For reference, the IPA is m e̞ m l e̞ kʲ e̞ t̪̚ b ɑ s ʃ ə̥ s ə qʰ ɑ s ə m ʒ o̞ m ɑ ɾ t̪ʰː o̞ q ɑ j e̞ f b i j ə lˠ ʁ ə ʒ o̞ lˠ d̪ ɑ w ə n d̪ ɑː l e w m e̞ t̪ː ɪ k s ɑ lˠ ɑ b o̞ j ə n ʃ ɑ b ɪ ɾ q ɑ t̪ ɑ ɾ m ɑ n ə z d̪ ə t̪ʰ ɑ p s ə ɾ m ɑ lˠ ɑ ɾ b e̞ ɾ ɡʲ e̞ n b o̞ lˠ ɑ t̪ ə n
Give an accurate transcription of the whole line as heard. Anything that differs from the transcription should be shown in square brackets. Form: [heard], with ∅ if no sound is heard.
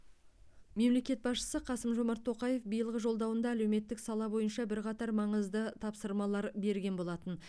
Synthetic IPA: m e̞ m l e̞ kʲ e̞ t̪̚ b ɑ s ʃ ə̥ s ə qʰ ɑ s ə m ʒ o̞ m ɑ ɾ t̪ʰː o̞ q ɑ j e̞ f b i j ə lˠ ʁ ə ʒ o̞ lˠ d̪ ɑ w ə n d̪ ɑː l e w m e̞ t̪ː ɪ k s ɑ lˠ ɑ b o̞ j ə n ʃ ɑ b ɪ ɾ q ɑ t̪ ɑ ɾ m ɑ [ɴ] ə z d̪ ə t̪ʰ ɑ p s ə ɾ m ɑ lˠ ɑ ɾ b e̞ ɾ ɡʲ e̞ n b o̞ lˠ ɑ t̪ ə n

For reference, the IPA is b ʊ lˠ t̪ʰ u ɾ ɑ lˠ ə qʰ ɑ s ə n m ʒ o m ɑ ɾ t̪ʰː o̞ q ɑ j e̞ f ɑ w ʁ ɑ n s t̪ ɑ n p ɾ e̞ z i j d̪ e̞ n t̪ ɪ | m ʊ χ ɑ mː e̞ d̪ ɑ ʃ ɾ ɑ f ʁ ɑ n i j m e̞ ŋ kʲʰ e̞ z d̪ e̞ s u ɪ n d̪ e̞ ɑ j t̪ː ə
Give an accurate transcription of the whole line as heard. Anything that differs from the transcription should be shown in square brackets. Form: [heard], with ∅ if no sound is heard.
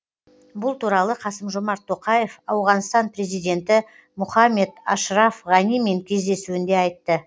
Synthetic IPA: b ʊ lˠ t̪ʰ u ɾ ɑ lˠ ə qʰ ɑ s ə [∅] m ʒ o m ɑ ɾ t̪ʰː o̞ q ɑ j e̞ f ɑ w ʁ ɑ n s t̪ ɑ n p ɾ e̞ z i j d̪ e̞ n t̪ ɪ | m ʊ χ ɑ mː e̞ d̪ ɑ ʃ ɾ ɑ f ʁ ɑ n i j m e̞ ŋ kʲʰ e̞ z d̪ e̞ s u ɪ n d̪ e̞ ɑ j t̪ː ə

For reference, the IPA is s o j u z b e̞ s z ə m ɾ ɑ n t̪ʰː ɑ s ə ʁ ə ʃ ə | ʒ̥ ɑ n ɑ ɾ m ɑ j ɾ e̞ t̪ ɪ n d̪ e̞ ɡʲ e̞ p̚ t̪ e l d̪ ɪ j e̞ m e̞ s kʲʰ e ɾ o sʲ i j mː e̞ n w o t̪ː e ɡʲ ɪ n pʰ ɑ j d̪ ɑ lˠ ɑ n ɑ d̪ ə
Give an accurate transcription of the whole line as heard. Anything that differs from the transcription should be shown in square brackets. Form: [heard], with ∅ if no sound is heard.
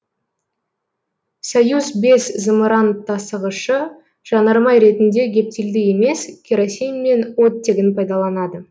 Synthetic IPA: s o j u z b e̞ s z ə m ɾ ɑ n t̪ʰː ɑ s ə ʁ ə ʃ ə | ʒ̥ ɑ n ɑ ɾ m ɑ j ɾ e̞ t̪ ɪ n d̪ e̞ ɡʲ e̞ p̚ t̪ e l d̪ ɪ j e̞ m e̞ s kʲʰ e ɾ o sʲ i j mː e̞ n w o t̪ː e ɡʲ ɪ n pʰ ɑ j d̪ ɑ lˠ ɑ n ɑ d̪ ə

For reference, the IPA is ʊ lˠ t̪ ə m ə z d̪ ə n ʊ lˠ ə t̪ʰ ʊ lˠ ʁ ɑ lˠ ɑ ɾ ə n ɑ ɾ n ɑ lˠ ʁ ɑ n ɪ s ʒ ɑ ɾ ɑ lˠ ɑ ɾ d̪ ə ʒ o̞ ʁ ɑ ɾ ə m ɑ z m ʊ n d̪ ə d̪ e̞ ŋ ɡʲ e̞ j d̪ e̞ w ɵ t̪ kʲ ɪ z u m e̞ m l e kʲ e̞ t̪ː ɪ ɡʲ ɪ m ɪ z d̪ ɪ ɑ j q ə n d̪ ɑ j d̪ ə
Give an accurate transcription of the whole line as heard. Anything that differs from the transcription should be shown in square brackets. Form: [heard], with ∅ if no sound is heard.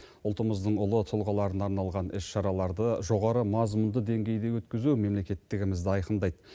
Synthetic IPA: ʊ lˠ t̪ ə m ə z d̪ ə [ɴ] ʊ lˠ ə t̪ʰ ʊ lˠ ʁ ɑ lˠ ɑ ɾ ə n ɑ ɾ n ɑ lˠ ʁ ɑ n ɪ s [ʃ] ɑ ɾ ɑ lˠ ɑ ɾ d̪ ə ʒ o̞ ʁ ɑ ɾ ə m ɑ z m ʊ n d̪ ə d̪ e̞ ŋ ɡʲ e̞ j d̪ e̞ w ɵ t̪ kʲ ɪ z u m e̞ m l e kʲ e̞ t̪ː ɪ ɡʲ ɪ m ɪ z d̪ ɪ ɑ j q ə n d̪ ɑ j d̪ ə

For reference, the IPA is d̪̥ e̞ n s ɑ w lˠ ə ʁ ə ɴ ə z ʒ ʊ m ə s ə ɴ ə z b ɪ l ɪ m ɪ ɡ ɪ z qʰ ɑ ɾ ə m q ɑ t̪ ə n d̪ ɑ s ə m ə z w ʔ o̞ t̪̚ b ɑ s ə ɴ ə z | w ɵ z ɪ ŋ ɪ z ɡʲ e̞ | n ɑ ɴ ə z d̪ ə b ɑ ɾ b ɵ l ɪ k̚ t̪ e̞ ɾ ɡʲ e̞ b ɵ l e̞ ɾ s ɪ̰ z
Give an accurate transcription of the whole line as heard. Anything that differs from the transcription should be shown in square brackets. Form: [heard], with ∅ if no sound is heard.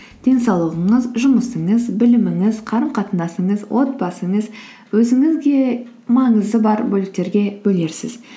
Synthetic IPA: d̪̥ e̞ n s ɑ w lˠ ə ʁ ə ɴ ə z ʒ ʊ m ə s ə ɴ ə z b ɪ l ɪ m ɪ [ŋ] ɪ z qʰ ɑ ɾ ə m q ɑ t̪ ə n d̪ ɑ s ə [ɴ] ə z w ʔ o̞ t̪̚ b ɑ s ə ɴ ə z | w ɵ z ɪ ŋ ɪ z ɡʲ e̞ | [m] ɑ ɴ ə z d̪ ə b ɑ ɾ b ɵ l ɪ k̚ t̪ e̞ ɾ ɡʲ e̞ b ɵ l e̞ ɾ s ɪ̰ z

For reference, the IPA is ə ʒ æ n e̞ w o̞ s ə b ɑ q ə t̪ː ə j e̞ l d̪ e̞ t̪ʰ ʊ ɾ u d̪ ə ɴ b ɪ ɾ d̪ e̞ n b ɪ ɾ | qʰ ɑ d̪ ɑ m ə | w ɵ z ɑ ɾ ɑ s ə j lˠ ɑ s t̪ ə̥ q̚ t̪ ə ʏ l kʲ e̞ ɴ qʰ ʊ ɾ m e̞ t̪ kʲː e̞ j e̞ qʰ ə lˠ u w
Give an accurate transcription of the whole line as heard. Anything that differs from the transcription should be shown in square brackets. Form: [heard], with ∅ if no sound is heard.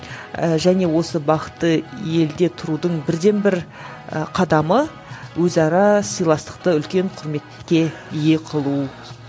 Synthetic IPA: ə ʒ æ n e̞ w o̞ s ə b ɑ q ə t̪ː ə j e̞ l d̪ e̞ t̪ʰ ʊ ɾ u d̪ ə ɴ b ɪ ɾ d̪ e̞ n b ɪ ɾ | qʰ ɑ d̪ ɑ m ə | w ɵ z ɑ ɾ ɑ s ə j lˠ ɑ s t̪ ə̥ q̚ t̪ ə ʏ l kʲ e̞ ɴ qʰ ʊ ɾ m e̞ t̪ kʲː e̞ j e̞ qʰ ə lˠ u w

